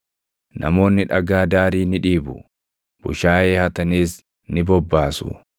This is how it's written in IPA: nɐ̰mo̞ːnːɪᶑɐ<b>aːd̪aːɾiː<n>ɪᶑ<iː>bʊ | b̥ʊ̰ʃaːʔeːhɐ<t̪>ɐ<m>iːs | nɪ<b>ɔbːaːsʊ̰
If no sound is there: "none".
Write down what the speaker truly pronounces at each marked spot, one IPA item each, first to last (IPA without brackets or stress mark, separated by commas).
ɡ, n, iː, t̪, n, b